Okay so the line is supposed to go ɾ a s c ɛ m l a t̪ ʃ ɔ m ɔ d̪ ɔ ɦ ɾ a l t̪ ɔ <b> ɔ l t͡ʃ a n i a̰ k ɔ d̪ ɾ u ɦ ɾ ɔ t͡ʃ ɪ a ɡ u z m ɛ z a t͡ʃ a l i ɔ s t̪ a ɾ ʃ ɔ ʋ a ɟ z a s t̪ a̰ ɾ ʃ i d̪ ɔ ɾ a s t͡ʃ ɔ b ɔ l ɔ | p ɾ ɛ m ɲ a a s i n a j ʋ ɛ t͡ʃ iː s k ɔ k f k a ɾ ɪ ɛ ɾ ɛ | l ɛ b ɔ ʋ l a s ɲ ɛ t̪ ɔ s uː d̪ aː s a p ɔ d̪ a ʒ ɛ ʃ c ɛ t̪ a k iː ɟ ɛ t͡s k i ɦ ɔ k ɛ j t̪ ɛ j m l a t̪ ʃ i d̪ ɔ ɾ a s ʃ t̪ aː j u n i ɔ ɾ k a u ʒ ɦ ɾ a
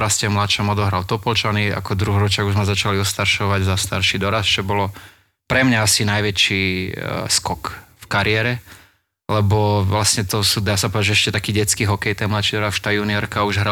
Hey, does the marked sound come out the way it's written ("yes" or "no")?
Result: no